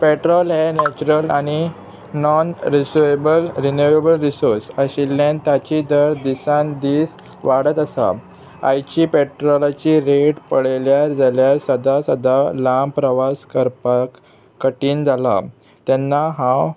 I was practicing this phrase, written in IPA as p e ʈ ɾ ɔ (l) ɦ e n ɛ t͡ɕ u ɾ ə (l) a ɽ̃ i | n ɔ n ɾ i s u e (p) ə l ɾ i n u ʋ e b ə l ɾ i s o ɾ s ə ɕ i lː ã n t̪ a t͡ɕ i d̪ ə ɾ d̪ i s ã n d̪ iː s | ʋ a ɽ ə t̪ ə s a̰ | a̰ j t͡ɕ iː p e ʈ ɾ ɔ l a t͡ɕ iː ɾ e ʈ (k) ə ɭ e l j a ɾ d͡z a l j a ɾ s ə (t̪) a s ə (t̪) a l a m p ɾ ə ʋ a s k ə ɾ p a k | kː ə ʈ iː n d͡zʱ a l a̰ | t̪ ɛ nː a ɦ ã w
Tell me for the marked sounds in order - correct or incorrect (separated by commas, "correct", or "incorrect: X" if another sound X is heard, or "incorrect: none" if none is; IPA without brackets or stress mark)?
correct, correct, incorrect: b, incorrect: p, incorrect: d̪, incorrect: d̪